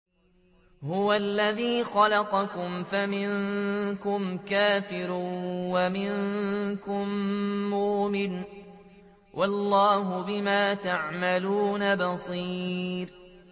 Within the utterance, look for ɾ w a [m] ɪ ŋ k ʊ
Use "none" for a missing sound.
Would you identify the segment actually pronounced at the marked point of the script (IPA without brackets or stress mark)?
m